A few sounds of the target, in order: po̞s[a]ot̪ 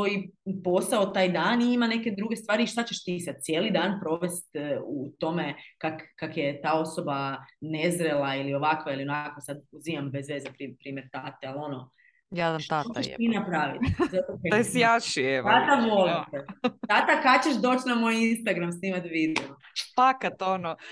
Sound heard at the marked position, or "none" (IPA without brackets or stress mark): a